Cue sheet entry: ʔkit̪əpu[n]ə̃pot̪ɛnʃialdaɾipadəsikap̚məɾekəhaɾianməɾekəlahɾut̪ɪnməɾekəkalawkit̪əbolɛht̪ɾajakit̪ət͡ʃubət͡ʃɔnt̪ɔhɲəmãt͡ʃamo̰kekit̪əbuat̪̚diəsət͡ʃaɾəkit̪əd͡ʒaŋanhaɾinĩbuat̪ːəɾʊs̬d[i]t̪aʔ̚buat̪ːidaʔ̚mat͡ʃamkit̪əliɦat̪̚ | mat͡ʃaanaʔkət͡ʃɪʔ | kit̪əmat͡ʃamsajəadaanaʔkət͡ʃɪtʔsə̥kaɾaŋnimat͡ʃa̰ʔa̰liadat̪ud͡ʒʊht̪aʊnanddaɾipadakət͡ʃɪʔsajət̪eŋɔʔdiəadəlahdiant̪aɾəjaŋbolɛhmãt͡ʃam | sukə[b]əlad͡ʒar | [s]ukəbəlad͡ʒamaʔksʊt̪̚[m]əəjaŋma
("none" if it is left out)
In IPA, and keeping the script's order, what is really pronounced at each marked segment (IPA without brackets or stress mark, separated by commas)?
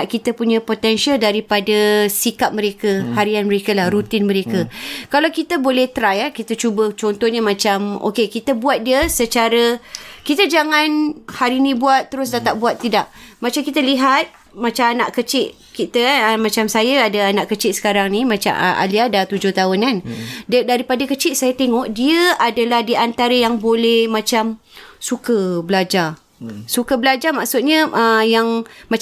ɲ, a, b, s, ɲ